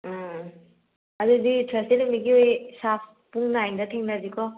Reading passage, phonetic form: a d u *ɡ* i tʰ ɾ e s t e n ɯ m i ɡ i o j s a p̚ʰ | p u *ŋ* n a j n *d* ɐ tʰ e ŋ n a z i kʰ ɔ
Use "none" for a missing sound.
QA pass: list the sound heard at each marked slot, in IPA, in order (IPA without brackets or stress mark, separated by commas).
d, ŋ, d